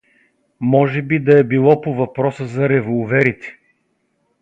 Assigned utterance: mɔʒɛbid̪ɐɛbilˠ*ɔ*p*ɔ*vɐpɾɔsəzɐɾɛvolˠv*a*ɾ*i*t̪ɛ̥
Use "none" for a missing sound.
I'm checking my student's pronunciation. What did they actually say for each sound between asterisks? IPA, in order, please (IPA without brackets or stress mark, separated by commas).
ɔ, o, ɛ, i